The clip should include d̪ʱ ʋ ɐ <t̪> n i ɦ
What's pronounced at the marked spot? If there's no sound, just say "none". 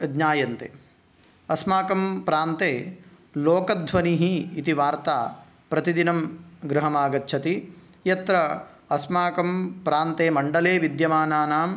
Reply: none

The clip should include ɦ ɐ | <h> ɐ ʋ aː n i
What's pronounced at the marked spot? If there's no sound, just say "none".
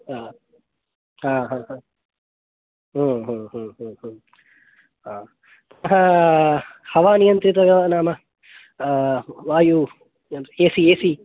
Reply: h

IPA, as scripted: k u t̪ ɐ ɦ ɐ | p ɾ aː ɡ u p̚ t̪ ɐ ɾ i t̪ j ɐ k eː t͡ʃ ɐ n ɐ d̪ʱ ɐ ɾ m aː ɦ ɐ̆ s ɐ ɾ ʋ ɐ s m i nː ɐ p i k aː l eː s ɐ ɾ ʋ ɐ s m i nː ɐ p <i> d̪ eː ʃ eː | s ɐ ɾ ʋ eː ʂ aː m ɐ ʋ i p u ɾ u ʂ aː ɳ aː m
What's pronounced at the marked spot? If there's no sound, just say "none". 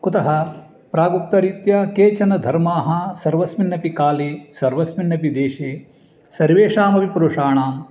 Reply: i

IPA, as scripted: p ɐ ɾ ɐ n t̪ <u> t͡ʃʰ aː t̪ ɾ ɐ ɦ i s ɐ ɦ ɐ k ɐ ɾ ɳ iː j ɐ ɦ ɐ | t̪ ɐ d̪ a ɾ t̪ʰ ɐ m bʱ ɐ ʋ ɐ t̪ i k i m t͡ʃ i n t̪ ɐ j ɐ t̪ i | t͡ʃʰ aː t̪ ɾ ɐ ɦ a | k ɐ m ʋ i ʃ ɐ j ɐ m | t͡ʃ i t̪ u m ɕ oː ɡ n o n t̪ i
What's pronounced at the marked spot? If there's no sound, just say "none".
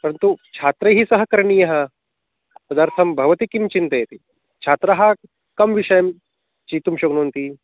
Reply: u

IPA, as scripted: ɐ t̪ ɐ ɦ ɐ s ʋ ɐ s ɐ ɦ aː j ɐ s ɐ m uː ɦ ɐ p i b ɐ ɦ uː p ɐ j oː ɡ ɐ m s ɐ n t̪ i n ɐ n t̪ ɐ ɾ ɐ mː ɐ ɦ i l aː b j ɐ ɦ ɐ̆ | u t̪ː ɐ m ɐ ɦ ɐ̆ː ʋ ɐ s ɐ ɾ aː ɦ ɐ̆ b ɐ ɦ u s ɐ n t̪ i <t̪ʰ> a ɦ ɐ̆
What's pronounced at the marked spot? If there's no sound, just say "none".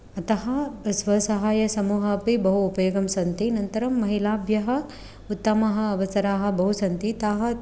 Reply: t̪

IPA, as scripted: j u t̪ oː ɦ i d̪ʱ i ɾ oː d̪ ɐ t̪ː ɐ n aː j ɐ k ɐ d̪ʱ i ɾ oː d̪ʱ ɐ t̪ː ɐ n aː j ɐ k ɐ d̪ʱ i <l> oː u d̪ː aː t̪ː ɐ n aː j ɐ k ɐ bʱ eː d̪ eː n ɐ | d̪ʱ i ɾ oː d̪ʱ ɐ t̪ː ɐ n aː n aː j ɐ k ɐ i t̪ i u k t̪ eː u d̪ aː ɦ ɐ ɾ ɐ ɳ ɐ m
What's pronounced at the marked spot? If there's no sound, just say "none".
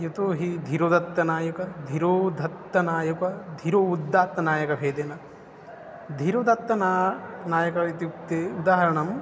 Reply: ɾ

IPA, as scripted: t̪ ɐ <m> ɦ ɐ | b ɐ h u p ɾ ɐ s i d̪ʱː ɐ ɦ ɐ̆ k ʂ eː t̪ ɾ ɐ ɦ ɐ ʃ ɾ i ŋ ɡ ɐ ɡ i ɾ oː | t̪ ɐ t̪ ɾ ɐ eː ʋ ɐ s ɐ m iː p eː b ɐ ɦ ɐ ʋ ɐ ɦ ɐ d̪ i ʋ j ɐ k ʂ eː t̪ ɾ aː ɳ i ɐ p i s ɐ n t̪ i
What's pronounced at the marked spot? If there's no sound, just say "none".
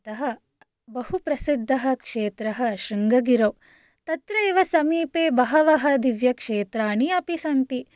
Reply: none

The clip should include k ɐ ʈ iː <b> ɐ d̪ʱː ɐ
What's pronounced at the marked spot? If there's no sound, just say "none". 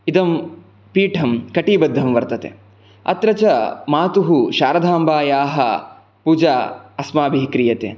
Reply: b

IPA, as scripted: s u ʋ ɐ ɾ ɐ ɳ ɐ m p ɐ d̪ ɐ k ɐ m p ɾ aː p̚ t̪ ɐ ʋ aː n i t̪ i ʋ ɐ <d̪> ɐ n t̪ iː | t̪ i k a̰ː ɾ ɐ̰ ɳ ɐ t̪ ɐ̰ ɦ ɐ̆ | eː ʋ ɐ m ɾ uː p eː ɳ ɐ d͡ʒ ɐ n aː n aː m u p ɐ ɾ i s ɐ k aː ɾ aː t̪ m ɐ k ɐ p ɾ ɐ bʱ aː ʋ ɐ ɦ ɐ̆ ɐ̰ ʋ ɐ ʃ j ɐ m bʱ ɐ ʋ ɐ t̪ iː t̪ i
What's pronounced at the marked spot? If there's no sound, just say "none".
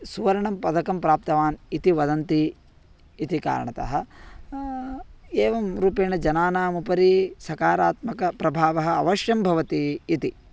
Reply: d̪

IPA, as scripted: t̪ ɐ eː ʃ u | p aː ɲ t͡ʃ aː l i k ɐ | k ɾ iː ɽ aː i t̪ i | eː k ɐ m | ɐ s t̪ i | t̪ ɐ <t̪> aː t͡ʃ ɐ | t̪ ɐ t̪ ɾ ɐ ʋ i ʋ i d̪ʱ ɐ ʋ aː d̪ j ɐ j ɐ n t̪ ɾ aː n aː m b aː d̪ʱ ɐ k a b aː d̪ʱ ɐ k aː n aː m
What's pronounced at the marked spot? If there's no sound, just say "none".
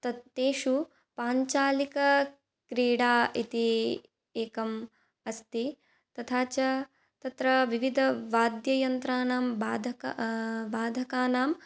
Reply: t̪ʰ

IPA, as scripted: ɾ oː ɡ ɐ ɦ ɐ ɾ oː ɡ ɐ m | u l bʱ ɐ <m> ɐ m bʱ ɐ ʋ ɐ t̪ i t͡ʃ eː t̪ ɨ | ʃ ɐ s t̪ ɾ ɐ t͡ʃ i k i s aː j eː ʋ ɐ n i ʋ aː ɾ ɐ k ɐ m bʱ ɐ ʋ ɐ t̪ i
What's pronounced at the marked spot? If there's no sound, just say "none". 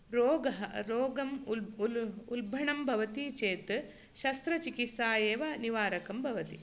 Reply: ɳ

